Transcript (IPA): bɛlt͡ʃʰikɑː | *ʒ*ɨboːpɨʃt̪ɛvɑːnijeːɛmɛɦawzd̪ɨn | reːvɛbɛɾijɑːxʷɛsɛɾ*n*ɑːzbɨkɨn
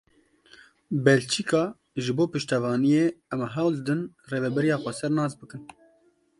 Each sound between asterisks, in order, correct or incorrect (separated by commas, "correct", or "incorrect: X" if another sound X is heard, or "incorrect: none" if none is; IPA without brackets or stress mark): correct, correct